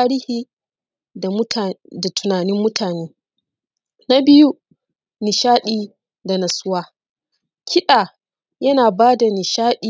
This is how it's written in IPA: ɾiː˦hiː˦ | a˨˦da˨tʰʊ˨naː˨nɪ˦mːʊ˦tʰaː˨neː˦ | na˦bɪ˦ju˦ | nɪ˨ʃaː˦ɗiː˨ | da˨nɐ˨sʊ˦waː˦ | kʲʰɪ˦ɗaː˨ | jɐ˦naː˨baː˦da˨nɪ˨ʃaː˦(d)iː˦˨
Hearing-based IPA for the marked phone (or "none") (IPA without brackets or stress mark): ɗ